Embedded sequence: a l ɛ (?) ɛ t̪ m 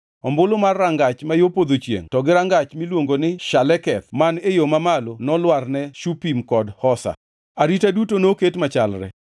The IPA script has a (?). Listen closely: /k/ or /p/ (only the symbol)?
k